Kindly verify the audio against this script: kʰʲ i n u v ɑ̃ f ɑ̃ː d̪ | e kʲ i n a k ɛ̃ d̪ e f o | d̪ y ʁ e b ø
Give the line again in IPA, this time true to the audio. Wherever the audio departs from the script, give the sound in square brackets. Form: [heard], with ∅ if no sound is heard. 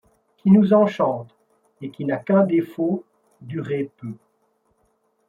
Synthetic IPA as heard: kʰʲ i n u [z] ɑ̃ [ʃ] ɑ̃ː [t̪] | e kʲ i n a k ɛ̃ d̪ e f o | d̪ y ʁ e [p] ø